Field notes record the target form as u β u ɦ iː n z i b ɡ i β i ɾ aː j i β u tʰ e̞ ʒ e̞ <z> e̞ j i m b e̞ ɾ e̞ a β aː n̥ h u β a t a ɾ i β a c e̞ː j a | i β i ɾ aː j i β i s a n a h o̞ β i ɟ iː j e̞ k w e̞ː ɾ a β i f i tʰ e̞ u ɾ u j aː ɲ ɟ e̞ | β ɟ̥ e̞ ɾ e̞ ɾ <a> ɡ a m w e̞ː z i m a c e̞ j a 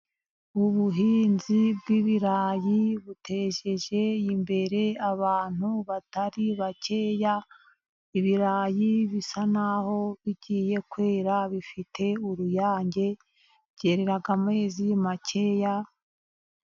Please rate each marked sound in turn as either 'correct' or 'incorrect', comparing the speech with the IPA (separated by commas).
incorrect, correct